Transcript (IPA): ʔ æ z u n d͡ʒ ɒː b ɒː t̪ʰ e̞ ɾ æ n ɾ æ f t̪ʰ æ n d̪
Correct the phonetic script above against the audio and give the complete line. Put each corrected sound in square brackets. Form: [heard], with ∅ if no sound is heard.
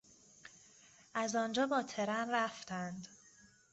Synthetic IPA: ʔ æ z [ɒ] n d͡ʒ ɒː b ɒː t̪ʰ e̞ ɾ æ n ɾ æ f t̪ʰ æ n d̪